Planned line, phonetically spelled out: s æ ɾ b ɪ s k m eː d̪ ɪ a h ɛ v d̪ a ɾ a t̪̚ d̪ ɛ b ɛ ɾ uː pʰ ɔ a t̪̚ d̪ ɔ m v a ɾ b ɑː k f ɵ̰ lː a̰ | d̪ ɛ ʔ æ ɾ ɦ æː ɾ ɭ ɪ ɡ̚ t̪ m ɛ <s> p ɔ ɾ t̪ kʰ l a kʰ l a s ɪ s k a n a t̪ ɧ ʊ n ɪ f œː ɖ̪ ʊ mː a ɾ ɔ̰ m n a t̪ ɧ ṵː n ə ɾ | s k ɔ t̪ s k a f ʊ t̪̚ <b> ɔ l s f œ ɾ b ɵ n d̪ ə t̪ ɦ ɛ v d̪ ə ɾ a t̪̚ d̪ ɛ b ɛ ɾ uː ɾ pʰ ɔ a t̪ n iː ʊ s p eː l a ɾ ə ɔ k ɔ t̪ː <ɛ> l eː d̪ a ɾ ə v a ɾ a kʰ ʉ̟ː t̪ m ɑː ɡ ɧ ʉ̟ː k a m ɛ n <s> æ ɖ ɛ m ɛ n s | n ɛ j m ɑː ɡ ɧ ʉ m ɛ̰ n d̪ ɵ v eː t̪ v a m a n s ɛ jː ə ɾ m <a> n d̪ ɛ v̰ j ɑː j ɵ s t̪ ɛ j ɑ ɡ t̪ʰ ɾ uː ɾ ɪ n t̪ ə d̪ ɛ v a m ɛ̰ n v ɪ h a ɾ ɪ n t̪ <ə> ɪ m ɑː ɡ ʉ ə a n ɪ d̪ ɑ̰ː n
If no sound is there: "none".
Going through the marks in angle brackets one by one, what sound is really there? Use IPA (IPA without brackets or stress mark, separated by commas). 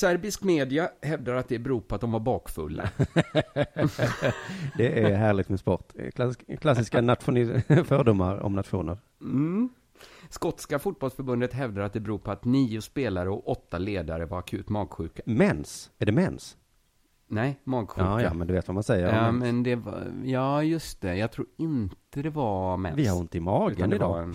s, b, a, s, ɛ, ə